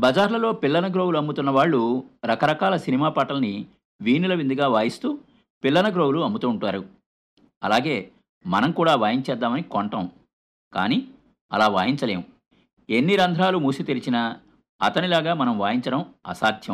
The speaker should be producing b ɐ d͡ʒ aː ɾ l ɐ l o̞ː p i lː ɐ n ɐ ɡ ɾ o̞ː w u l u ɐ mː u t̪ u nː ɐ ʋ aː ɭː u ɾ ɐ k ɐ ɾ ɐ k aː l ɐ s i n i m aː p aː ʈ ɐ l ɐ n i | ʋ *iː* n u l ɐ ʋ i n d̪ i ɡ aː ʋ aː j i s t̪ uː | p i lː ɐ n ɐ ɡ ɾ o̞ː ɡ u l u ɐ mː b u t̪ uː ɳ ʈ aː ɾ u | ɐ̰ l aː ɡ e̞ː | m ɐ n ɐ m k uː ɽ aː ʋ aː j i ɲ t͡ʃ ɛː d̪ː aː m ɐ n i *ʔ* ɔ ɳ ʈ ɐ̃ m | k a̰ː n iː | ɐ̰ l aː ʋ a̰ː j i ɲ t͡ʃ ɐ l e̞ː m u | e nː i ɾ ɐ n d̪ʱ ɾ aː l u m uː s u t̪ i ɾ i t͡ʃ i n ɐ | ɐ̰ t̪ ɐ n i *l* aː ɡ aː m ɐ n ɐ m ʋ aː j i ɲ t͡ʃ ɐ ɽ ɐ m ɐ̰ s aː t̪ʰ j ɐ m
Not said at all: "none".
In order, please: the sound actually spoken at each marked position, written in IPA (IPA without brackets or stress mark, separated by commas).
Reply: iː, k, l